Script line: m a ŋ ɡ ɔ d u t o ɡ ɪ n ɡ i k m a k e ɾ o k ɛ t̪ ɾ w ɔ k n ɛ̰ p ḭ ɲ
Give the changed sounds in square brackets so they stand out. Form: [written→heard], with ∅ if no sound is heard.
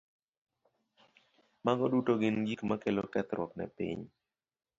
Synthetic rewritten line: m a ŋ ɡ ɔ d u t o ɡ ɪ n ɡ i k m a k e [ɾ→l] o k ɛ t̪ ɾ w ɔ k n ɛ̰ p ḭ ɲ